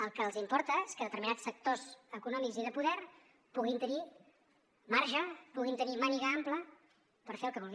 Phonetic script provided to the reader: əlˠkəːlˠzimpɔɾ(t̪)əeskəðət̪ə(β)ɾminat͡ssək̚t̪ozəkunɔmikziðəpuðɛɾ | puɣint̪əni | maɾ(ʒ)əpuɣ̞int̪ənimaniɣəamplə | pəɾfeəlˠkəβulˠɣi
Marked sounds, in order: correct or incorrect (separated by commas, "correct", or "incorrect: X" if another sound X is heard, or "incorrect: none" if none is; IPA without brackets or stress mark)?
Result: correct, incorrect: none, correct